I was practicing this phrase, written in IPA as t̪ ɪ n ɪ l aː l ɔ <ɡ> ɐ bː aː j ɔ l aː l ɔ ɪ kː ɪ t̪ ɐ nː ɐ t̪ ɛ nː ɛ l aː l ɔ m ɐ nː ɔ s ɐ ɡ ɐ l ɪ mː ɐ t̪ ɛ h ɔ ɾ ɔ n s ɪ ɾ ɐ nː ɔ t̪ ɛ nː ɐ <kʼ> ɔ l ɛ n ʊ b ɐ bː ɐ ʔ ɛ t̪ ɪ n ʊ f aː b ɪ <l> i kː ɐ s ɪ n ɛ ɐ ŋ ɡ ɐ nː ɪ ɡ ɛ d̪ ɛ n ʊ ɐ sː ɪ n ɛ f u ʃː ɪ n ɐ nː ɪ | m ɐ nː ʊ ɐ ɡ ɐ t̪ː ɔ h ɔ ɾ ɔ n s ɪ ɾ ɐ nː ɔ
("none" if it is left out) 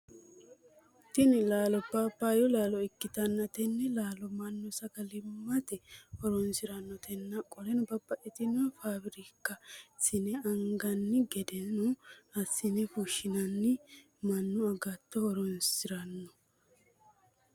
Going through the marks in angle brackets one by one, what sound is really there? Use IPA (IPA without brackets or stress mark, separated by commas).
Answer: b, kʼ, ɾ